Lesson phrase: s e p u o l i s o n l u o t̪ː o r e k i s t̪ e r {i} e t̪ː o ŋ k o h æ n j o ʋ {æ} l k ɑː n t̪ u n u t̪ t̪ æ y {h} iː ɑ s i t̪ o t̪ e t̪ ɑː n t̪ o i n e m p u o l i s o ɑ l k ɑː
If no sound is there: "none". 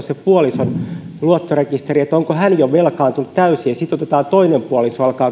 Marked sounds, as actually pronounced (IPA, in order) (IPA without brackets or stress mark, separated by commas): i, e, s